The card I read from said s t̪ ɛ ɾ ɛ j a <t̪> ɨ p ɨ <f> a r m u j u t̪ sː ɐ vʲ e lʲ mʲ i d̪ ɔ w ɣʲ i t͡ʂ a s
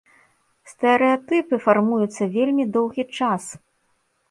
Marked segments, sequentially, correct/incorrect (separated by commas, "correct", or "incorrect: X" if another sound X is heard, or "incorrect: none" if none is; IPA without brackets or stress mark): correct, correct